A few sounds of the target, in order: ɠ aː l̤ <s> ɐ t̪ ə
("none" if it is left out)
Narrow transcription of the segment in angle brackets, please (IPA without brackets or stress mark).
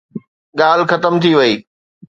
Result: x